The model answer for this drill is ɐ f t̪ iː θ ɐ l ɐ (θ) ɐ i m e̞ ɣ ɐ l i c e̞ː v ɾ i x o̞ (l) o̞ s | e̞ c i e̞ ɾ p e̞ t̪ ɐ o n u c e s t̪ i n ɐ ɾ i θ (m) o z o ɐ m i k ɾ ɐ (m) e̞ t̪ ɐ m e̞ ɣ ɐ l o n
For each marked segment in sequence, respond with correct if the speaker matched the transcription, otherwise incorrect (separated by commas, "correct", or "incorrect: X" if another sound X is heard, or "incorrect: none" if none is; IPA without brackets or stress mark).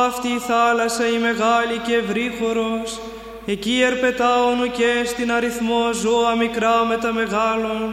incorrect: s, incorrect: ɾ, correct, correct